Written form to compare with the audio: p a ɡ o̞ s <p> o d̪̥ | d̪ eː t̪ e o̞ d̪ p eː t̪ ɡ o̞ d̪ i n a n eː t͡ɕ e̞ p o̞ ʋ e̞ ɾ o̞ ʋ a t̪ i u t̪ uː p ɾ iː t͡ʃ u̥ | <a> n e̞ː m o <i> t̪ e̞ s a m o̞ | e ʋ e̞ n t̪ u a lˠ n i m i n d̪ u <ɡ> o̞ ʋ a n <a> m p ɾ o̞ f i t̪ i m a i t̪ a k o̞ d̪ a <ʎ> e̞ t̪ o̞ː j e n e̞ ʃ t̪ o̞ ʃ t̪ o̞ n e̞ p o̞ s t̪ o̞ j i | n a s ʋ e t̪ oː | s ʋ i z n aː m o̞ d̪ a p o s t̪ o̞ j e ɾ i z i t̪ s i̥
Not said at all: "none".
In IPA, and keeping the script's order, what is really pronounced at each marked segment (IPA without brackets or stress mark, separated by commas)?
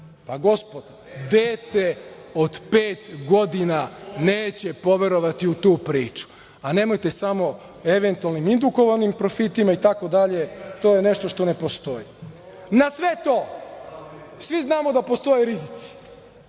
p, a, j, k, i, ʎ